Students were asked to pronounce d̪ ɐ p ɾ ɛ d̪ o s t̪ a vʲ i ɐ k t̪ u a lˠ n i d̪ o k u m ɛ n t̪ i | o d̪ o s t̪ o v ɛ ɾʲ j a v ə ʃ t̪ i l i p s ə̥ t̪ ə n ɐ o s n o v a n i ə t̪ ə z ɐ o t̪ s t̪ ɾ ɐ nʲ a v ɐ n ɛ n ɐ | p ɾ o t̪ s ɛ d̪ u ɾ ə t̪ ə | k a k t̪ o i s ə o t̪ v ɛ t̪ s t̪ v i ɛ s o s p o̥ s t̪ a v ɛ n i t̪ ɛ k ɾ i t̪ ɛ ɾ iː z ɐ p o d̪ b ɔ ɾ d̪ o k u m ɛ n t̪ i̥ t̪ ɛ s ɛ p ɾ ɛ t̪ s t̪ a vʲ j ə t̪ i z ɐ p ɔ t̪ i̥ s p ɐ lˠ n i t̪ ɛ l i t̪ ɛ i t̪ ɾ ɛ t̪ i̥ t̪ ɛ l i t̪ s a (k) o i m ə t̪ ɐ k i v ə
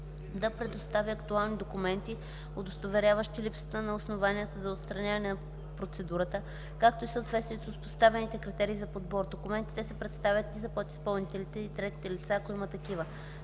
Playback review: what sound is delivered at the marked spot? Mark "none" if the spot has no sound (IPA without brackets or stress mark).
k